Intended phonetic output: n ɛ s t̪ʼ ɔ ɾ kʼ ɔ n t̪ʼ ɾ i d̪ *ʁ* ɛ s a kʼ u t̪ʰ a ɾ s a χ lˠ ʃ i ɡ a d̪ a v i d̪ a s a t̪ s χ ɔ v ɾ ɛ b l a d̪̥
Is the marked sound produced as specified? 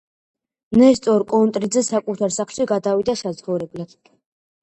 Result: no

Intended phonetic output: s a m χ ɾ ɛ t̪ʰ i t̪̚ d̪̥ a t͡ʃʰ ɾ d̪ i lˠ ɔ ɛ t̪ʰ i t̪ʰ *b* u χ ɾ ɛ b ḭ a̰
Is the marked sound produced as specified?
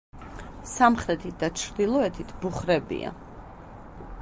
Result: yes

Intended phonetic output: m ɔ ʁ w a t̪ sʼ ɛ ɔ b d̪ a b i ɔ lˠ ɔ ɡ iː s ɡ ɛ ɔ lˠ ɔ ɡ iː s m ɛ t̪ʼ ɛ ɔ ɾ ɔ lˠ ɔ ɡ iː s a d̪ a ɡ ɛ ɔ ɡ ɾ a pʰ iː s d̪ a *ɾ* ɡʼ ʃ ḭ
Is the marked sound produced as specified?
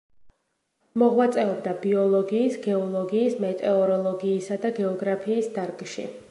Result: yes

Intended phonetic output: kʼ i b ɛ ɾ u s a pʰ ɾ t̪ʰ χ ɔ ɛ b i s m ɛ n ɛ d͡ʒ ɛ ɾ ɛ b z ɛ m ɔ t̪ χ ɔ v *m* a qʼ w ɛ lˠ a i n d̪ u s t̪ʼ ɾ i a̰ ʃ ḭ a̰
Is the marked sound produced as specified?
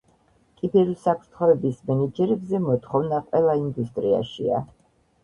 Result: no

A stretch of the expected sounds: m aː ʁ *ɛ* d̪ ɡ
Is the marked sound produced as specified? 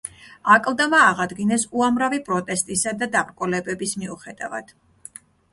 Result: no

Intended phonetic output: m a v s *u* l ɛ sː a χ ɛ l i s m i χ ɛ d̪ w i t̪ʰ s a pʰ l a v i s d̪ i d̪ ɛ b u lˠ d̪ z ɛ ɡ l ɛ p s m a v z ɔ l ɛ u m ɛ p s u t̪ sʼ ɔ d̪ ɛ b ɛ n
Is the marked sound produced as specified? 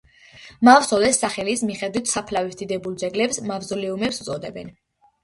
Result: no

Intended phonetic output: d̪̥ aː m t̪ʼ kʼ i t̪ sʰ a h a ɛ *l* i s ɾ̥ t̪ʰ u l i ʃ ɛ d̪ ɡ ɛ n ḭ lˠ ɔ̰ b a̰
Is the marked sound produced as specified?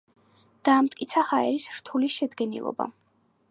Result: no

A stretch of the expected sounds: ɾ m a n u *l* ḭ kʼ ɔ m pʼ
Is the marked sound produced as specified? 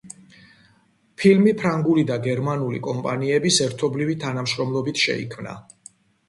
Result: yes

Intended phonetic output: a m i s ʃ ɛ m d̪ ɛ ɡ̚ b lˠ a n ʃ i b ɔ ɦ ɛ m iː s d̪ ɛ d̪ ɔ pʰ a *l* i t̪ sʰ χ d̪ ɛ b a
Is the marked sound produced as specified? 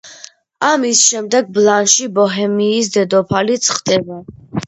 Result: yes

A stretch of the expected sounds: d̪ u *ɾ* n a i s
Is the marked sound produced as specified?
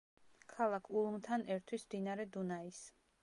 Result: no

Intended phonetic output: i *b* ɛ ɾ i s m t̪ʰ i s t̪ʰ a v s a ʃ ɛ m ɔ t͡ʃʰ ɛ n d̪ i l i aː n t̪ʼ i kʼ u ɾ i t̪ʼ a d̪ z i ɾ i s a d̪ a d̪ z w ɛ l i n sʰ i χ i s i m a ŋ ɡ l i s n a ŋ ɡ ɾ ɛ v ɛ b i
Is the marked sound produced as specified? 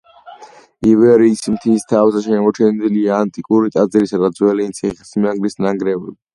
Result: no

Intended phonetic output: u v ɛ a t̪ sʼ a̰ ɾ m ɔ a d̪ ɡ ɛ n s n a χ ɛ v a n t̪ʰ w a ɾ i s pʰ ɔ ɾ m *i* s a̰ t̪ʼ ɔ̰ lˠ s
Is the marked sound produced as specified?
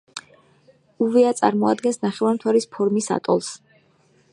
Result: yes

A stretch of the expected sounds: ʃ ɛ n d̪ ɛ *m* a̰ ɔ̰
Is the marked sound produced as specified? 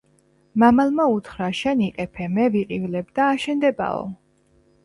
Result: no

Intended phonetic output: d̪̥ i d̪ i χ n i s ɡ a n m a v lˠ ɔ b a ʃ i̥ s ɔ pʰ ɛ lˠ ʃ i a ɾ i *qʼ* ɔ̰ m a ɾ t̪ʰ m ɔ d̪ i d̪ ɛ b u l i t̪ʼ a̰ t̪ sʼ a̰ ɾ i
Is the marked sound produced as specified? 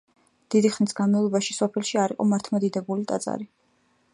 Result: yes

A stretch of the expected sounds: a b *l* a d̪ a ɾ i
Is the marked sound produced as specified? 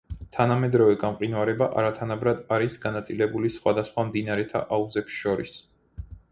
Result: no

